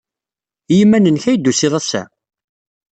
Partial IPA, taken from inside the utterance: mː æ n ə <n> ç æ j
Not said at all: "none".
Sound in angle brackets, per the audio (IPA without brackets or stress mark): n